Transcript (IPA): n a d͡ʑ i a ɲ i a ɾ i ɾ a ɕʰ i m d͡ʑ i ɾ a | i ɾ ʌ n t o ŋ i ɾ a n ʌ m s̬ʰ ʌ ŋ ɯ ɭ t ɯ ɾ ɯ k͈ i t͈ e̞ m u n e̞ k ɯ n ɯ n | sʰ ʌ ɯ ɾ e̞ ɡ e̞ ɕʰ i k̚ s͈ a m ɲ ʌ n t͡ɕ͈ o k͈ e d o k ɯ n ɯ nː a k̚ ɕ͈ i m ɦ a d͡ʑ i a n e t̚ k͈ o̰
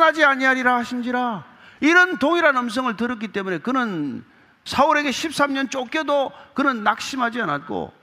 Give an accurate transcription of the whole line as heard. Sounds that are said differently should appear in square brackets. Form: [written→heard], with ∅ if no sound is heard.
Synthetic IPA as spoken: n a d͡ʑ i a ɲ i a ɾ i ɾ a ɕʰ i m d͡ʑ i ɾ a | i ɾ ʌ n t o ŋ i ɾ a n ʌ m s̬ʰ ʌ ŋ ɯ ɭ t ɯ ɾ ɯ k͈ i t͈ e̞ m u n e̞ k ɯ n ɯ n | sʰ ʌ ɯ ɾ e̞ ɡ e̞ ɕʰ i [k̚→p̚] s͈ a m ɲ ʌ n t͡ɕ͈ o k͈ e d o k ɯ n ɯ nː a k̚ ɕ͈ i m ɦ a d͡ʑ i a n [e→a] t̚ k͈ o̰